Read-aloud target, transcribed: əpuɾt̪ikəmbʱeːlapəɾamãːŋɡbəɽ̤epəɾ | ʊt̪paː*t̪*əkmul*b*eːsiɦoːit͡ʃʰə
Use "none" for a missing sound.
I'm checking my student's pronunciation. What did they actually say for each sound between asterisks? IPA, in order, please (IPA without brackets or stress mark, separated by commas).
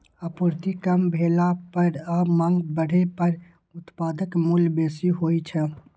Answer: d̪, b